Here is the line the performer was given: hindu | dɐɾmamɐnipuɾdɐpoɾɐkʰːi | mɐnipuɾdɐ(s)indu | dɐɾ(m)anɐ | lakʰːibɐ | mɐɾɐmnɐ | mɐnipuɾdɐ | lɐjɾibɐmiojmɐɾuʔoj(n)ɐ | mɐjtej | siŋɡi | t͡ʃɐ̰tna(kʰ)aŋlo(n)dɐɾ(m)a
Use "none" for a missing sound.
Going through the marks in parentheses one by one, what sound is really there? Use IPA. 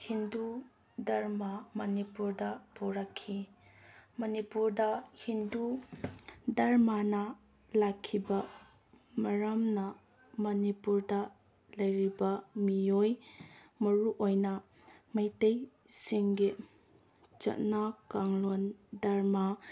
h, m, n, k, n, m

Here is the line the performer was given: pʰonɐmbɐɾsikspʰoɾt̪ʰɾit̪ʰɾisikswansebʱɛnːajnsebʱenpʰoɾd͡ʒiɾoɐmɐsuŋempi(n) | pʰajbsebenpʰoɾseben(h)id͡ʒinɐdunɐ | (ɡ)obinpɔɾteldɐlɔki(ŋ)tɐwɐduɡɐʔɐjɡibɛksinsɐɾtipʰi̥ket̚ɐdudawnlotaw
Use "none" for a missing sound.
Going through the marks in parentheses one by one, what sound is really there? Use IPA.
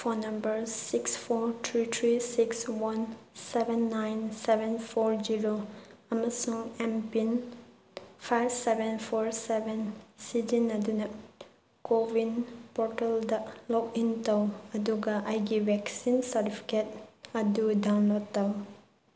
n, s, k, n

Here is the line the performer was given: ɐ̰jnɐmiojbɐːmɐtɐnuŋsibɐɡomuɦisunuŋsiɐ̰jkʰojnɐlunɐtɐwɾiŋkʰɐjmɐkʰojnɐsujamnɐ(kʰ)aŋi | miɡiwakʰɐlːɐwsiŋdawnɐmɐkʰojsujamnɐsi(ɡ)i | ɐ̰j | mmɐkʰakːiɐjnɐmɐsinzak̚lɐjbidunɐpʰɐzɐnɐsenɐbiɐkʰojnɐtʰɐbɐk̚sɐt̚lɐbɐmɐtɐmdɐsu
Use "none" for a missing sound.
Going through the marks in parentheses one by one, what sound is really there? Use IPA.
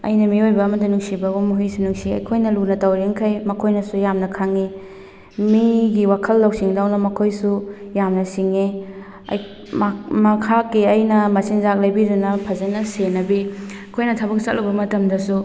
kʰ, ŋ

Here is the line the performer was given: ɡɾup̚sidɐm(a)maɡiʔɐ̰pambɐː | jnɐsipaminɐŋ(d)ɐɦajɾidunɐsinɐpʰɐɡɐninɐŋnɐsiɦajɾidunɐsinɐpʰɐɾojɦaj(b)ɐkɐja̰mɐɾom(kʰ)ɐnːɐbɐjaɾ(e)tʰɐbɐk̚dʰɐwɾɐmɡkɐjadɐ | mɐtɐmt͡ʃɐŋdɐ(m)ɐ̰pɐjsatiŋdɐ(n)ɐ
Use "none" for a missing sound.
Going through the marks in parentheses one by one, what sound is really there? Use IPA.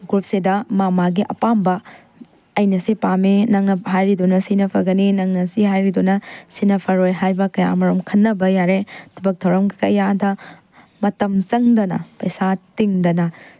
a, n, b, kʰ, e, n, n

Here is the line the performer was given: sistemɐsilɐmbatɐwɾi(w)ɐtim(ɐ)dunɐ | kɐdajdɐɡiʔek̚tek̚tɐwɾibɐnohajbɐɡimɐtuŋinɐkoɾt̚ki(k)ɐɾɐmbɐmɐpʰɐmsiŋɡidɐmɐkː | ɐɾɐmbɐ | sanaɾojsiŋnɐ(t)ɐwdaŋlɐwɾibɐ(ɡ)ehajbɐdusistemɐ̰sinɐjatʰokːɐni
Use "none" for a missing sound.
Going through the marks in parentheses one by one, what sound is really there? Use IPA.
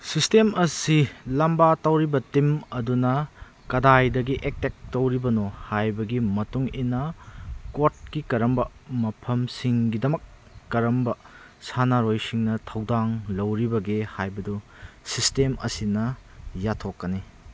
b, ɐ, k, tʰ, ɡ

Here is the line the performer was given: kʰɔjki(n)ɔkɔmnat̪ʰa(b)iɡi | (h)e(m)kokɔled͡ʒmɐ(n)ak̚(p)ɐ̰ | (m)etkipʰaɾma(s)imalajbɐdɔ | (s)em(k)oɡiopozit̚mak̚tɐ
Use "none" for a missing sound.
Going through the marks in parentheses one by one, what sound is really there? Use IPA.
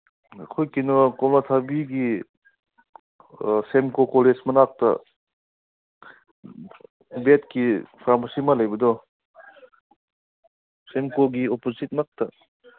n, b, s, m, n, t, b, s, s, k

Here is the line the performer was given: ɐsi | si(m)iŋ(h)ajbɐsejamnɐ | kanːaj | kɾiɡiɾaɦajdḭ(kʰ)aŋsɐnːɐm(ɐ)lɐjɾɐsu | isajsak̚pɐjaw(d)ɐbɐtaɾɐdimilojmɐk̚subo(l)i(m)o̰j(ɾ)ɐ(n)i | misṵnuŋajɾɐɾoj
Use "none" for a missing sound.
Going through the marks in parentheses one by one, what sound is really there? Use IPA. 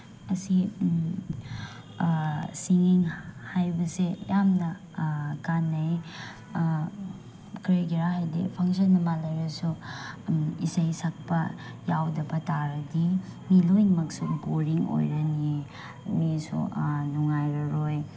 ŋ, h, pʰ, a, d, ɾ, ŋ, ɾ, n

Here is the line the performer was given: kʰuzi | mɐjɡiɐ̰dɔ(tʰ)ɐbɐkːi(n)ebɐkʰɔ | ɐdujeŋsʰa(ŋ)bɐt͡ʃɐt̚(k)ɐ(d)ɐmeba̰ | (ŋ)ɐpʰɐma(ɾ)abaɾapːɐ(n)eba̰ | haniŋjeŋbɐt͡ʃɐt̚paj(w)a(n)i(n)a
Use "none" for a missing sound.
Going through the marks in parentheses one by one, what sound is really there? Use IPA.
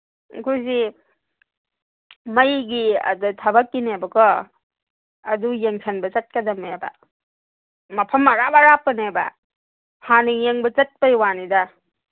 tʰ, n, n, k, d, m, ɾ, n, w, n, d

